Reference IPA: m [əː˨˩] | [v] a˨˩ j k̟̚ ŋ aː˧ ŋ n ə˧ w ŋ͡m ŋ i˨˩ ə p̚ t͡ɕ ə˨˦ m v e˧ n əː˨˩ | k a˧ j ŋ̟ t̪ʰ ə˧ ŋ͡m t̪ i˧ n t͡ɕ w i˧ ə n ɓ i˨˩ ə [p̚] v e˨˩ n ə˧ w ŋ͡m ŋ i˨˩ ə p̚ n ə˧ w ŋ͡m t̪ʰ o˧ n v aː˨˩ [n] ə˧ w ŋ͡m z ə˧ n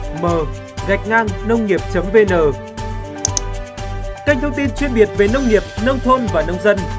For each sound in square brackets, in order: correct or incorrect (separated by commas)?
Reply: correct, incorrect, incorrect, correct